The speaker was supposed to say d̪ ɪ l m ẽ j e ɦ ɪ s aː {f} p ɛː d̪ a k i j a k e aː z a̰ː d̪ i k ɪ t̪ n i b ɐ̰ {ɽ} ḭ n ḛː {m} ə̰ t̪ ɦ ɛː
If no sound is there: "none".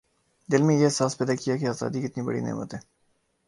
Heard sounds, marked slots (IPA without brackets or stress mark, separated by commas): s, ɽ, m